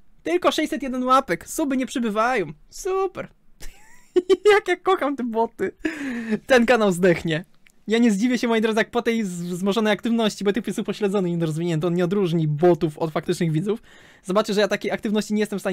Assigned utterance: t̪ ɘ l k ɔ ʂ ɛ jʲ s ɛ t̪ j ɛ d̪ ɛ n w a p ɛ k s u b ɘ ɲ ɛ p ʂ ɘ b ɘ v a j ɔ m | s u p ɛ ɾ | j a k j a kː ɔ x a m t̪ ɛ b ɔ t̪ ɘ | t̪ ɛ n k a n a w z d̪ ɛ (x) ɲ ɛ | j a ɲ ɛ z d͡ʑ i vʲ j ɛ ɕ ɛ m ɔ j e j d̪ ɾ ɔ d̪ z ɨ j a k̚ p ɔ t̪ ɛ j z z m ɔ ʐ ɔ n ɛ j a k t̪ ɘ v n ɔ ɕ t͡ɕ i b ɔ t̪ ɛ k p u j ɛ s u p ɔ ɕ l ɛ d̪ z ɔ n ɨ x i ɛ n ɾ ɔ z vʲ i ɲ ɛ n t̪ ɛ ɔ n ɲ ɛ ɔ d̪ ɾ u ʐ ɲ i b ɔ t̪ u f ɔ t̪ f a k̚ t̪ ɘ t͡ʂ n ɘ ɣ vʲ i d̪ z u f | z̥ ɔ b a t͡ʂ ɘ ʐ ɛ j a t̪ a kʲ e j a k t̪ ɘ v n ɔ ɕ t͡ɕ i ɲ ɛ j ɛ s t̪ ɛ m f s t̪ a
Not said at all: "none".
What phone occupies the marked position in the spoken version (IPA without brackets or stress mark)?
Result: x